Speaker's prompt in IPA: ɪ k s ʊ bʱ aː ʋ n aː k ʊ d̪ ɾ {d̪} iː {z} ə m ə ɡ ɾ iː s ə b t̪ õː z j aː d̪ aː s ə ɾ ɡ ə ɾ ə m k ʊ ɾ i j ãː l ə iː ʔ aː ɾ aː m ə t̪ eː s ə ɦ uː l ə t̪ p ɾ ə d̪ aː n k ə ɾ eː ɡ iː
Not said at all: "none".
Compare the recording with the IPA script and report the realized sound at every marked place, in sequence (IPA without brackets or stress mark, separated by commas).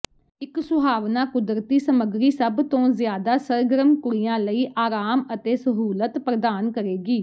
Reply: t̪, s